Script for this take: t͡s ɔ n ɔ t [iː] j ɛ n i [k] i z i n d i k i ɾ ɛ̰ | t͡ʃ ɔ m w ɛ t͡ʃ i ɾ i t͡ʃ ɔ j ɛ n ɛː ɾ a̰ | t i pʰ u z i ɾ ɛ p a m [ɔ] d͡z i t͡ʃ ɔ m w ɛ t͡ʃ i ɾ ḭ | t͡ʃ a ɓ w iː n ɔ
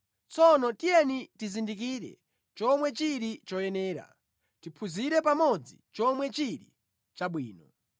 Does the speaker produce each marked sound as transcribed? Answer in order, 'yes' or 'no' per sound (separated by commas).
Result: no, no, yes